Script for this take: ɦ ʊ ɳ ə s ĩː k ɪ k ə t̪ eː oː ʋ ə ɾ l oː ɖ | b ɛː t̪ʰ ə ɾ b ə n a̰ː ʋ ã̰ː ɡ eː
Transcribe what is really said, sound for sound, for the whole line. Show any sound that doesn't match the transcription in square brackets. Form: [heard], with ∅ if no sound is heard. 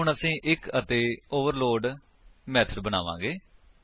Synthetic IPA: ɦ ʊ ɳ ə s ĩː [ʔ] ɪ k ə t̪ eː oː ʋ ə ɾ l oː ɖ | [m] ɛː t̪ʰ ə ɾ b ə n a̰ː ʋ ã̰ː ɡ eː